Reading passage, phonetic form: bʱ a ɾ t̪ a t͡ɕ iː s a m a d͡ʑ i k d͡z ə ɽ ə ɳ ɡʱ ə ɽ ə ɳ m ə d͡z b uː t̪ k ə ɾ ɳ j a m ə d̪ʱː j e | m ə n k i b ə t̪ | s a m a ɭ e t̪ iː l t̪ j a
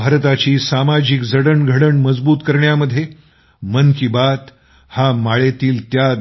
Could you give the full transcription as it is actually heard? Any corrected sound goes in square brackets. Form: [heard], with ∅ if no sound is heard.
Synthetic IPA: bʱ a ɾ t̪ a t͡ɕ iː s a m a d͡ʑ i k d͡z ə ɽ ə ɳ ɡʱ ə ɽ ə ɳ m ə d͡z b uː t̪ k ə ɾ ɳ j a m ə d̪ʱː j e | m ə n k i b [a] t̪ | [h] a m a ɭ e t̪ iː l t̪ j a